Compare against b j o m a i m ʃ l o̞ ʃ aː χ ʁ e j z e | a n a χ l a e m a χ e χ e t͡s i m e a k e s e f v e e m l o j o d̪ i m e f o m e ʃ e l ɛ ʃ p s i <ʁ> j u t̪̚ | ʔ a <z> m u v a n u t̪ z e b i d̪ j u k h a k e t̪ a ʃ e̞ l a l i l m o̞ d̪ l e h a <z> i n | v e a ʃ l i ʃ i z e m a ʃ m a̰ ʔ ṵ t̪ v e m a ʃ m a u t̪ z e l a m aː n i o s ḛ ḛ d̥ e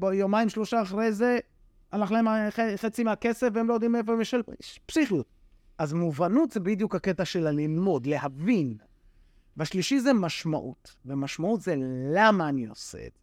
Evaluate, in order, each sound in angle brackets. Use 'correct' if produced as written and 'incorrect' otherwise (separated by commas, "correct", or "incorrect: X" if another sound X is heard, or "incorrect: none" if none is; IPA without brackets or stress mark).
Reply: incorrect: χ, correct, incorrect: v